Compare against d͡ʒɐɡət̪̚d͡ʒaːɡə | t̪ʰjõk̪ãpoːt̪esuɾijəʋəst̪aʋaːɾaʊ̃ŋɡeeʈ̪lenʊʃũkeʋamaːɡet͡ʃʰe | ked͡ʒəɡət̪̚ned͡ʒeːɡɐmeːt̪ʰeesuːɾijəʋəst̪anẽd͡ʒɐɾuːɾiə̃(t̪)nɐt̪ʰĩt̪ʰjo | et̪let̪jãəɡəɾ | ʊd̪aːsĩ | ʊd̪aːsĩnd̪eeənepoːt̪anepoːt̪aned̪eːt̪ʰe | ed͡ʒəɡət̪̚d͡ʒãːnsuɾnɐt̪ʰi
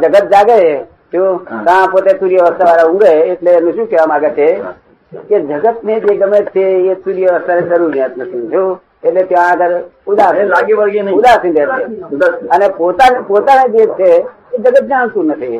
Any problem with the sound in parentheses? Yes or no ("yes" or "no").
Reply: no